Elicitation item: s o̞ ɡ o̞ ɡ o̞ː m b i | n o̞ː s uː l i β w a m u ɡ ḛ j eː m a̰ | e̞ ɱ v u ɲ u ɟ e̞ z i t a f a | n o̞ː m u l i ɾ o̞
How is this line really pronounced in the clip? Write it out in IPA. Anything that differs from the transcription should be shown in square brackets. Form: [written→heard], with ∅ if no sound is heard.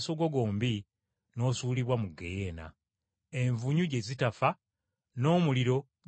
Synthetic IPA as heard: s o̞ ɡ o̞ ɡ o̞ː m b i | n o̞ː s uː l i β w a m u ɡ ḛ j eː [m→n] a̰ | e̞ ɱ v u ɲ u ɟ e̞ z i t a f a | n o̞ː m u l i ɾ o̞